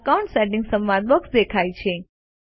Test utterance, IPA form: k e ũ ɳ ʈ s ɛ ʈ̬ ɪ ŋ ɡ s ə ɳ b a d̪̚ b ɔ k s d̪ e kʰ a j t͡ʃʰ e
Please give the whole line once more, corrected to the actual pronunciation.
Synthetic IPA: k a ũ ɳ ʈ s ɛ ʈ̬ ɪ ŋ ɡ s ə m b a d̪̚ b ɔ k s d̪ e kʰ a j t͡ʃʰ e